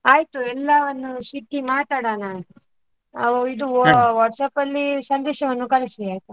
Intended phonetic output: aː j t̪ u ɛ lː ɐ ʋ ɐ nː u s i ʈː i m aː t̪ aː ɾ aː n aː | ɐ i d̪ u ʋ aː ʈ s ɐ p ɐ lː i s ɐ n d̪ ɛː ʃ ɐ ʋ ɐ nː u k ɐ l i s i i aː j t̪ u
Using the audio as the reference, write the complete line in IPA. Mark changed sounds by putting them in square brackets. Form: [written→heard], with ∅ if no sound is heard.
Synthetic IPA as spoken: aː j t̪ u ɛ lː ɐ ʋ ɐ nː u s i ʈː i m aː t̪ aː [ɾ→ɽ] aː n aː | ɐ i d̪ u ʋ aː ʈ s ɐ p ɐ lː i s ɐ n d̪ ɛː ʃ ɐ ʋ ɐ nː u k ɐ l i s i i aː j t̪ u